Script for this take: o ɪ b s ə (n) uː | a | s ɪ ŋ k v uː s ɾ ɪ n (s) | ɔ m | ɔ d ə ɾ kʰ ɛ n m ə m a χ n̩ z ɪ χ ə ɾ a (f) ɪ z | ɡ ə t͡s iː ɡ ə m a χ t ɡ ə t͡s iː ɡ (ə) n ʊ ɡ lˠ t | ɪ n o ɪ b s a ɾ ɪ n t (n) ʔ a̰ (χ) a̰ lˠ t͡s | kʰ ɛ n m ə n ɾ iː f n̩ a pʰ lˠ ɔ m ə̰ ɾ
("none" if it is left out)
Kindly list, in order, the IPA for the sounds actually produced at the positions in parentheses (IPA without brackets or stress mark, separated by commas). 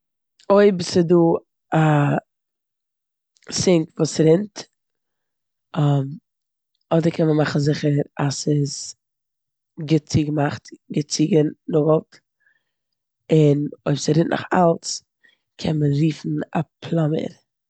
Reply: d, t, s, ə, n, χ